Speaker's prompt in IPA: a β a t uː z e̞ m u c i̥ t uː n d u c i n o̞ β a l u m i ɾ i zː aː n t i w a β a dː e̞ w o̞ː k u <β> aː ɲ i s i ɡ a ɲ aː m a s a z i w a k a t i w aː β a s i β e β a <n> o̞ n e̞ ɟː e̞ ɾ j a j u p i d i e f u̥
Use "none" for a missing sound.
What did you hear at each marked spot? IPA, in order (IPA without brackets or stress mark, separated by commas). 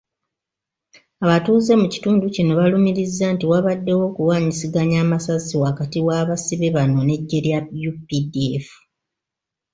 w, n